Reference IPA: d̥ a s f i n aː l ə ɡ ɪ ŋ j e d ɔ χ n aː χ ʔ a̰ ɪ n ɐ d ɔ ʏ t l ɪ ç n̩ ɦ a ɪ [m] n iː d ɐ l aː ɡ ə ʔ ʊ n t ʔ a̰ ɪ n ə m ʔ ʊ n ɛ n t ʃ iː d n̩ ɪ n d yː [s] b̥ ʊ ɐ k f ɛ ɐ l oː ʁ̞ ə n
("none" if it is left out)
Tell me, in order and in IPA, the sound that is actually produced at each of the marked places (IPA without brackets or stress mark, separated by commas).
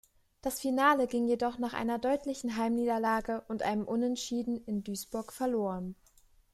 m, s